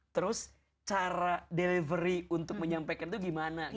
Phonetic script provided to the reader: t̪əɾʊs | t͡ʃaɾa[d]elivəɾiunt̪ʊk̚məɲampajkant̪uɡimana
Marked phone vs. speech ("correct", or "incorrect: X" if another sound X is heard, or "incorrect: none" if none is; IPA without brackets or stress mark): correct